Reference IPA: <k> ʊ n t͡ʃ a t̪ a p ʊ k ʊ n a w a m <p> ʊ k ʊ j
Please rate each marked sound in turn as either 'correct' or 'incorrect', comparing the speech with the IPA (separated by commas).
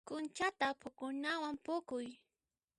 correct, correct